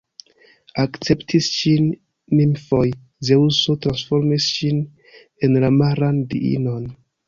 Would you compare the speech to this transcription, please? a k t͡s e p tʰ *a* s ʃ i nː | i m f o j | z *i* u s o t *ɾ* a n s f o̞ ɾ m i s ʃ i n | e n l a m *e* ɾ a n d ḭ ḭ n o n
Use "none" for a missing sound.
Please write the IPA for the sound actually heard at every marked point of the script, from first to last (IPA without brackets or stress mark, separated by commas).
i, e, ɾ, a